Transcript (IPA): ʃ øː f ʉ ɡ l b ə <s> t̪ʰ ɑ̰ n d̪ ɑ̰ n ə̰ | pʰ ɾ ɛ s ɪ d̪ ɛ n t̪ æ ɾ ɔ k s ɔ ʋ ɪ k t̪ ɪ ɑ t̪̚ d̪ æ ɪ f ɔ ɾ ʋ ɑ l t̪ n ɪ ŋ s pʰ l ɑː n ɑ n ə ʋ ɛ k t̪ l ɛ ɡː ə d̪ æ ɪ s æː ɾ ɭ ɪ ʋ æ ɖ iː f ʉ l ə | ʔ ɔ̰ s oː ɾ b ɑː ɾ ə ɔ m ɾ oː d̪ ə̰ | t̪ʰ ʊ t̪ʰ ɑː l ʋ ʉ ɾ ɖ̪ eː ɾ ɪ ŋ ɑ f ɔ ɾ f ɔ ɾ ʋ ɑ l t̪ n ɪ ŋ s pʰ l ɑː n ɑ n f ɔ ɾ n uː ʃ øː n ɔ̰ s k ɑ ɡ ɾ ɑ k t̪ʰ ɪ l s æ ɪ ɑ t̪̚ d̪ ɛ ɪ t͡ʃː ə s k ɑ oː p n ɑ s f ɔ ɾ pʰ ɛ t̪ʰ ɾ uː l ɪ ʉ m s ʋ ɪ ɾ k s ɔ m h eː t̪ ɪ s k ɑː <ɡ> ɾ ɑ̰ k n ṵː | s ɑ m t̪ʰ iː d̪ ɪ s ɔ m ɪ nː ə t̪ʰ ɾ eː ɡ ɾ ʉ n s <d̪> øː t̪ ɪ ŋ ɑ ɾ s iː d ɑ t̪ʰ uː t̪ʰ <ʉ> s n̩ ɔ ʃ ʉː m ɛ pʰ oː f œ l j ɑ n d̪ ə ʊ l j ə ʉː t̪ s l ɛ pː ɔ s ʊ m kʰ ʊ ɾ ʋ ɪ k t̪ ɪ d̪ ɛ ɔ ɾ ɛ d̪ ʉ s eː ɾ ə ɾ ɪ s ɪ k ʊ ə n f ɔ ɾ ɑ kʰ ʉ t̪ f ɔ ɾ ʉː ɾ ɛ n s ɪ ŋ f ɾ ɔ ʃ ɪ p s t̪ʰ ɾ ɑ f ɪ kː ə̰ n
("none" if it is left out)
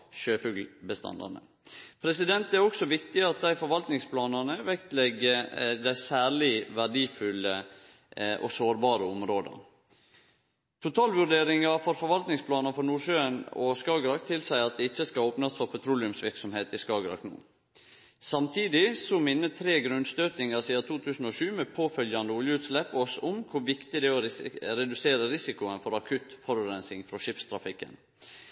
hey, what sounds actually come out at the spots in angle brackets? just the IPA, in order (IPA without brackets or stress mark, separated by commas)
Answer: s, ɡ, t̪, ʉː